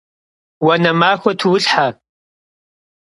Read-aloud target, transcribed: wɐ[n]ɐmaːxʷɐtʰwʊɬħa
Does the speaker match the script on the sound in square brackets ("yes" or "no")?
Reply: yes